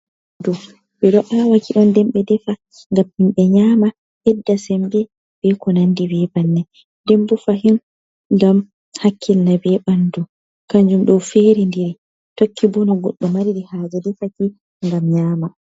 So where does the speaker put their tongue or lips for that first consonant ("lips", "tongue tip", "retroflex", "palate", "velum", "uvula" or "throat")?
tongue tip